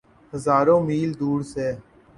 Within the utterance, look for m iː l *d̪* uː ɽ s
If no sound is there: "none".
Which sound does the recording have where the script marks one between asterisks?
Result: d̪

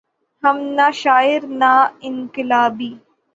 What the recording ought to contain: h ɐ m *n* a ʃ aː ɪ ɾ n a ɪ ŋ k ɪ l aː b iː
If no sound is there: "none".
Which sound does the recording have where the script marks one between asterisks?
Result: n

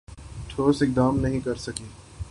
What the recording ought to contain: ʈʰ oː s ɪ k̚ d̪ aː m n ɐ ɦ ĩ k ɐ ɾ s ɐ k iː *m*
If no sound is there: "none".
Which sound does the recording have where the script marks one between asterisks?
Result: none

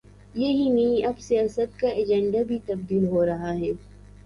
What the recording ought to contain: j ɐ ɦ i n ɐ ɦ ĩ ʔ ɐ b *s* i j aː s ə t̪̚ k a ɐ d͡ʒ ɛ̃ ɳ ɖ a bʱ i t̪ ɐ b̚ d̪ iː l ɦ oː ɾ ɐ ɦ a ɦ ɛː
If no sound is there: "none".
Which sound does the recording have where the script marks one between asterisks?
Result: s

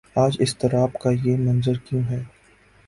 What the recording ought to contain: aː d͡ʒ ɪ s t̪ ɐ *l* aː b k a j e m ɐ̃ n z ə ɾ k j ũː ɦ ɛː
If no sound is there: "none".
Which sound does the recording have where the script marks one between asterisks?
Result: ɾ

